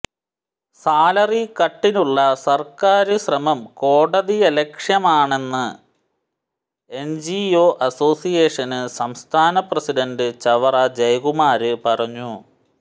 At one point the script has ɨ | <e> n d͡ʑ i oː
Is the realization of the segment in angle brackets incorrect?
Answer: no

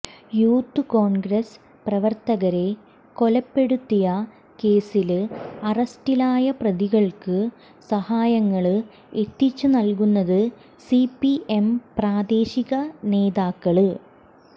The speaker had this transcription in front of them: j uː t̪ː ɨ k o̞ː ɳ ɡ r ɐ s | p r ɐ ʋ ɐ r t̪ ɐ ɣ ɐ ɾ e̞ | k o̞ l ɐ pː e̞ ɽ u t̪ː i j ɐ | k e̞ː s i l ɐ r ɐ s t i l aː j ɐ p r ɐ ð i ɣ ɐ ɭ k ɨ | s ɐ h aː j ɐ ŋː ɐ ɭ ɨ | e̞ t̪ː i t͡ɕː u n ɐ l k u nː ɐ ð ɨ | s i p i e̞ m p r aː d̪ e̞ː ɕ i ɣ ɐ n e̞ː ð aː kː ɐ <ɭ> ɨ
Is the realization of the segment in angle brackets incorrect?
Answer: no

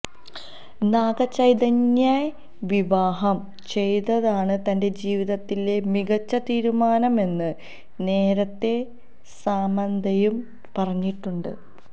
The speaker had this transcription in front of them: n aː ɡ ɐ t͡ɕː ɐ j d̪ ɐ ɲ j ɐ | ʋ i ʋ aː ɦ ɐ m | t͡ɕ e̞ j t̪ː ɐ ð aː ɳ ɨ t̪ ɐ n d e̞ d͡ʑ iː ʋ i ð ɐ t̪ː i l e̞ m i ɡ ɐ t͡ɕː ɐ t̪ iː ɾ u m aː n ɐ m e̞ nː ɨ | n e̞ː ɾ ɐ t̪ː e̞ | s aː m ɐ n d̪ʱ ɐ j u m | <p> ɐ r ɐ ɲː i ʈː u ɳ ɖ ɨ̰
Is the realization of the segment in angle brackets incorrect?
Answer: no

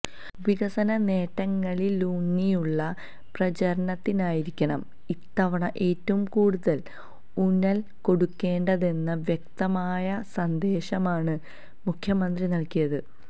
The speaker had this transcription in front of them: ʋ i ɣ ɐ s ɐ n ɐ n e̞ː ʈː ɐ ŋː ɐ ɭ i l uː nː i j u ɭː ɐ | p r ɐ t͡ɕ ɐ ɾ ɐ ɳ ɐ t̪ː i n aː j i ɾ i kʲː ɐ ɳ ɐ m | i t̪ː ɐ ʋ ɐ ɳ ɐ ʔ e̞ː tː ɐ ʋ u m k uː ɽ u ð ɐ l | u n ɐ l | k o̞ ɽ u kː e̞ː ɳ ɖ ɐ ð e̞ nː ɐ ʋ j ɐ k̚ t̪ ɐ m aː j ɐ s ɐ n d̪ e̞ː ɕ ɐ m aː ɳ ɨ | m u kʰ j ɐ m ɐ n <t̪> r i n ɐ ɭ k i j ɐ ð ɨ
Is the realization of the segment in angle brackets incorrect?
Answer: yes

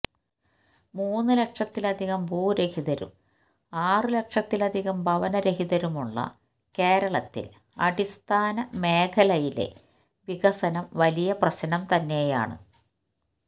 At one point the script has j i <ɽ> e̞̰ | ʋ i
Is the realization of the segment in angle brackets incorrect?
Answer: yes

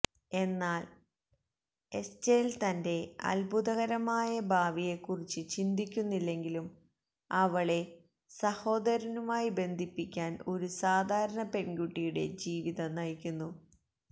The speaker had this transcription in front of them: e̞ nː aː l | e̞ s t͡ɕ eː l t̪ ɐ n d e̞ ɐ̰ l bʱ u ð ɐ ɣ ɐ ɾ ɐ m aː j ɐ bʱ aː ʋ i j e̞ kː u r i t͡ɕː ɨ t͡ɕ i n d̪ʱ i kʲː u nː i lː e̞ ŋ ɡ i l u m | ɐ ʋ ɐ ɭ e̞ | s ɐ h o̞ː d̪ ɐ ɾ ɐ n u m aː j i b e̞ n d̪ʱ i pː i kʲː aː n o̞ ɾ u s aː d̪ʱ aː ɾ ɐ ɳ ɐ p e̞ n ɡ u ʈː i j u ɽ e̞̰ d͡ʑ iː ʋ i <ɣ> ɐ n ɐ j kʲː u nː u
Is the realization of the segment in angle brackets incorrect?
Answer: yes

